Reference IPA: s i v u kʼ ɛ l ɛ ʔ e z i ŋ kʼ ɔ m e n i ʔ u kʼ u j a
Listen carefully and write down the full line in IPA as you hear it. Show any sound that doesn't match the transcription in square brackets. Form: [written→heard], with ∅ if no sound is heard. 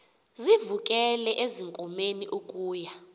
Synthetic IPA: [s→z] i v u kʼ ɛ l ɛ ʔ e z i ŋ kʼ ɔ m e n i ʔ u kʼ [u→uː] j a